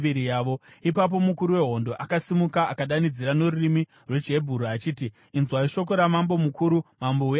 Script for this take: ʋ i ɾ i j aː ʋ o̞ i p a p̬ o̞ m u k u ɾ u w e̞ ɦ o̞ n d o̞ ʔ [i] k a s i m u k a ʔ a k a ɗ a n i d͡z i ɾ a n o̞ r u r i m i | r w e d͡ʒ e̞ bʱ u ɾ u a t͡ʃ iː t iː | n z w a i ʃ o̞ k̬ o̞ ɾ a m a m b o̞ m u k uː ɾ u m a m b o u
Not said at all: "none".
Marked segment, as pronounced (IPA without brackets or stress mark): a